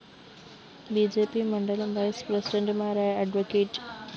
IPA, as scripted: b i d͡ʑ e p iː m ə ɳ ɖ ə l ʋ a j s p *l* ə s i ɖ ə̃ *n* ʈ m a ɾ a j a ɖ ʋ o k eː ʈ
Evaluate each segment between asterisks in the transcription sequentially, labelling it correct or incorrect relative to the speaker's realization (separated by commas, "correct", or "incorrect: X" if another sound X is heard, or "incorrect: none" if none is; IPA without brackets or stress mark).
incorrect: ɾ, incorrect: ɳ